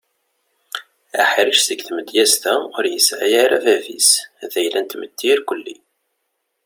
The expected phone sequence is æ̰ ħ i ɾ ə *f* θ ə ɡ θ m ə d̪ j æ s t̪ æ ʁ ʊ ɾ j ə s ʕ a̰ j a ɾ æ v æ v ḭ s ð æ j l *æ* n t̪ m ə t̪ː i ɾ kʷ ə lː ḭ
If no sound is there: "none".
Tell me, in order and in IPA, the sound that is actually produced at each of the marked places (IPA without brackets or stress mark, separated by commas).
ʃ, æ